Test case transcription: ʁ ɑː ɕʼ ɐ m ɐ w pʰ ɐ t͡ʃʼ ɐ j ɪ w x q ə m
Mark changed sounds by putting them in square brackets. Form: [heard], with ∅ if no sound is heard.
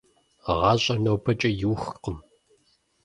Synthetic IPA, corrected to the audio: ʁ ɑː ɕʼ ɐ [n] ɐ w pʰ ɐ t͡ʃʼ ɐ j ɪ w x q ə m